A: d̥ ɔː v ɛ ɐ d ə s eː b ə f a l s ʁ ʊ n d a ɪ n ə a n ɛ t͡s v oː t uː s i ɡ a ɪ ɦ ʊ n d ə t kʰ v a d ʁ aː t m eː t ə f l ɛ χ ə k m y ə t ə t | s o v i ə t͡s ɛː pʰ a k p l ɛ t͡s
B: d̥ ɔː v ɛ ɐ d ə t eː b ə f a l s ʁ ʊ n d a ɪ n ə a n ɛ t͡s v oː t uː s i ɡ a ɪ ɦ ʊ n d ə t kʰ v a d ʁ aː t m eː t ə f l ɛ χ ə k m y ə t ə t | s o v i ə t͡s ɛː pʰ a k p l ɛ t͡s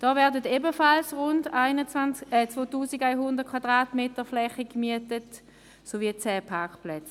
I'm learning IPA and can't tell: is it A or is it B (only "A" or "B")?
B